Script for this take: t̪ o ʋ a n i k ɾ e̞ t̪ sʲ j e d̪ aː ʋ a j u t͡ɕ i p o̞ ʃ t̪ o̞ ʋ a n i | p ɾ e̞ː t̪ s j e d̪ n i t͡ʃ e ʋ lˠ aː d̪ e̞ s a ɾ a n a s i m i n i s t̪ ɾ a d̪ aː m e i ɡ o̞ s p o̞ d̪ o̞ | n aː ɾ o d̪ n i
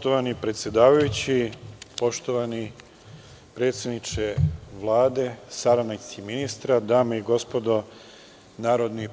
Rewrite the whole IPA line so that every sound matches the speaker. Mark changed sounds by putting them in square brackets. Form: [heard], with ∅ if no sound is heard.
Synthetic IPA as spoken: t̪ o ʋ a n i [p] ɾ e̞ t̪ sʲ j e d̪ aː ʋ a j u t͡ɕ i p o̞ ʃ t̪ o̞ ʋ a n i | p ɾ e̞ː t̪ s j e d̪ n i t͡ʃ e ʋ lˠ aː d̪ e̞ s a ɾ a n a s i m i n i s t̪ ɾ a d̪ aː m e i ɡ o̞ s p o̞ d̪ o̞ | n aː ɾ o d̪ n i